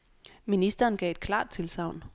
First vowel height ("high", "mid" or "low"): high